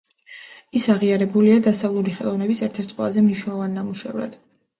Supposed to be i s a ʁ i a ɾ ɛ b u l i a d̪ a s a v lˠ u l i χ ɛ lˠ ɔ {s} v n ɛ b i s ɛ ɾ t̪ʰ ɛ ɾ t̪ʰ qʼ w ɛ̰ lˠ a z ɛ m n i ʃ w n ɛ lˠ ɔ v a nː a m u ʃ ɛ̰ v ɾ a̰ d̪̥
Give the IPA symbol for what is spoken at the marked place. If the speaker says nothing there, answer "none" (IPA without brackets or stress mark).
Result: none